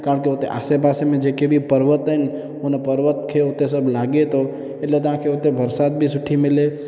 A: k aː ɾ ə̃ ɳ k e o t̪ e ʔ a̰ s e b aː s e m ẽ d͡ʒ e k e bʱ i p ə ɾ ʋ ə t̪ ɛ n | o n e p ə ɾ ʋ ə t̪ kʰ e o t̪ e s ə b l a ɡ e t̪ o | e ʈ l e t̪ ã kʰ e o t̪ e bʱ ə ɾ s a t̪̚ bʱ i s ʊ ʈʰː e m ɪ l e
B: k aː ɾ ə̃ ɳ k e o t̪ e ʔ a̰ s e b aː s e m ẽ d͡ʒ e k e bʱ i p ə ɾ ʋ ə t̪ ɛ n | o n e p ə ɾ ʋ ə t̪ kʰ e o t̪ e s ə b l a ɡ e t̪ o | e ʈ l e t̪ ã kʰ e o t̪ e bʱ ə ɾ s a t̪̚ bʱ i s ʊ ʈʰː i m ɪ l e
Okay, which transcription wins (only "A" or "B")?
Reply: B